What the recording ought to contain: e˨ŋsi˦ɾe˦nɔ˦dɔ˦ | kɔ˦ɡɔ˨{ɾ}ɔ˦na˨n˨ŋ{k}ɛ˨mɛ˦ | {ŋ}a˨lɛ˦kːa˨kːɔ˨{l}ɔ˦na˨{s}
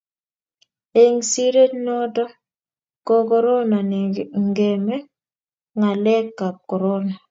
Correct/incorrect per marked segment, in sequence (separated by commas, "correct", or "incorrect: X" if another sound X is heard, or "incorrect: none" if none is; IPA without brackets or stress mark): correct, incorrect: ɡ, correct, incorrect: ɾ, incorrect: none